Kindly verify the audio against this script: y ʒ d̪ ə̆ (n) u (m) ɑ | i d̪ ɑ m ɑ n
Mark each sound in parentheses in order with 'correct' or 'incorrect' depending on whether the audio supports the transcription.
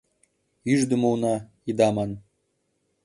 incorrect: m, incorrect: n

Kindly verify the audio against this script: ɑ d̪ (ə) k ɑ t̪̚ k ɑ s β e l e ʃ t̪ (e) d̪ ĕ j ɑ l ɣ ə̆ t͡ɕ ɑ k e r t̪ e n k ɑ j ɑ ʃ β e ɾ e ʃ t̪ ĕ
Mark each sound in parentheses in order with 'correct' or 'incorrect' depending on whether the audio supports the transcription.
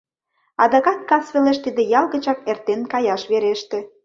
incorrect: ɑ, incorrect: i

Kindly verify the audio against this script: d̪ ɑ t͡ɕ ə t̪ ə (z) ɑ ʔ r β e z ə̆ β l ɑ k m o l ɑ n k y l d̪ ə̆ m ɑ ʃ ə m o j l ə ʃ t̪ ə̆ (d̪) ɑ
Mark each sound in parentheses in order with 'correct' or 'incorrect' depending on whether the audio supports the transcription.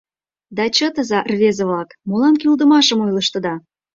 correct, correct

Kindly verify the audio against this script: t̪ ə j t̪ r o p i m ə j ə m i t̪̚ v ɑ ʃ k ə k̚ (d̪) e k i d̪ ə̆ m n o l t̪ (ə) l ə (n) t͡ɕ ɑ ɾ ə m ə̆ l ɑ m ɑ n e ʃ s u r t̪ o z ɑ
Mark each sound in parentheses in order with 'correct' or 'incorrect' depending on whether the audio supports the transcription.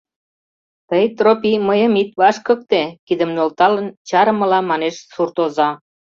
incorrect: t̪, incorrect: ɑ, correct

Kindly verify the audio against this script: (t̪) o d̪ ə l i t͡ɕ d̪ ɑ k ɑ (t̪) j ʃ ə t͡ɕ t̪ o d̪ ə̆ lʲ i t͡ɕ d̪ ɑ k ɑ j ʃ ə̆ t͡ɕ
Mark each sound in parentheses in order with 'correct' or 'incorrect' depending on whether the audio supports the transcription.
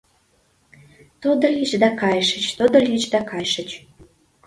correct, incorrect: none

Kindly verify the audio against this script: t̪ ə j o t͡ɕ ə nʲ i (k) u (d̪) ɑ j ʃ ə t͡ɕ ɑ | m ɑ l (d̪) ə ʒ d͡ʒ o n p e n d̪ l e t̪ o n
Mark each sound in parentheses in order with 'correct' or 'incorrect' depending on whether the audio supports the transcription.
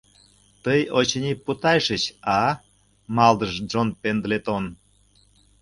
incorrect: p, incorrect: t̪, correct

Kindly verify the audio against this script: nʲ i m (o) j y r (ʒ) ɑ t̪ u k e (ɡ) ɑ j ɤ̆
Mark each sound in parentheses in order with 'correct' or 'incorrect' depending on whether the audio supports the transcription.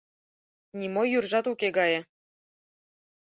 correct, correct, correct

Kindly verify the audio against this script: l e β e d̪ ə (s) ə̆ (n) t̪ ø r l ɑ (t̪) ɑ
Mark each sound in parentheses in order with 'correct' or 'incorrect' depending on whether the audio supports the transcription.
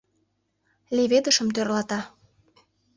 incorrect: ʃ, incorrect: m, correct

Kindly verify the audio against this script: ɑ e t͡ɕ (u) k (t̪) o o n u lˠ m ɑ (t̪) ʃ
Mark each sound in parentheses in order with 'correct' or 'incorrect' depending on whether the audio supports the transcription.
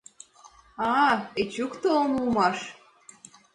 correct, correct, incorrect: none

